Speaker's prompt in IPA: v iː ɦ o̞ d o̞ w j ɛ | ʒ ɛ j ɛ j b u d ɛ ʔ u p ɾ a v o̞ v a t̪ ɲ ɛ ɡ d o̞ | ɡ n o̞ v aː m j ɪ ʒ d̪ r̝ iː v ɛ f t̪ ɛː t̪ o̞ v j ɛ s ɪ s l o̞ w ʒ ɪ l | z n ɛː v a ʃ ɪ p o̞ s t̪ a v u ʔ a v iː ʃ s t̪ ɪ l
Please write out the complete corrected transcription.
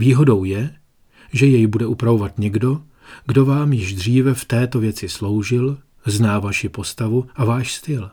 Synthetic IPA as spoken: v iː ɦ o̞ d o̞ w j ɛ | ʒ ɛ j ɛ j b u d ɛ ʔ u p ɾ a v o̞ v a t̪ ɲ ɛ ɡ d o̞ | ɡ d o̞ v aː m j ɪ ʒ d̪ r̝ iː v ɛ f t̪ ɛː t̪ o̞ v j ɛ t͡s ɪ s l o̞ w ʒ ɪ l | z n aː v a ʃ ɪ p o̞ s t̪ a v u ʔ a v aː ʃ s t̪ ɪ l